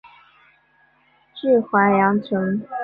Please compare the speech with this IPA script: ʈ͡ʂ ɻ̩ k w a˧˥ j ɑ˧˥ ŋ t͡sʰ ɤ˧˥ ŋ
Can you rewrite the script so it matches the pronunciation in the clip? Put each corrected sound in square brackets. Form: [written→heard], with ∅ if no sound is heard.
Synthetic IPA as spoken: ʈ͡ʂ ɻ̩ [k→x] w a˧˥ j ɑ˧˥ ŋ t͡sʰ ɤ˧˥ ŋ